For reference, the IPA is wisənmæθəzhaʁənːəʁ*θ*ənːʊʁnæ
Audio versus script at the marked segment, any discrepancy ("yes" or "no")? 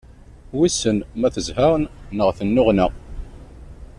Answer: no